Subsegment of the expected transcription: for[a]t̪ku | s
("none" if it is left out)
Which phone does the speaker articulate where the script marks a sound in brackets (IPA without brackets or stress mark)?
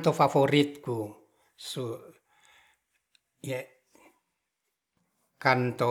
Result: i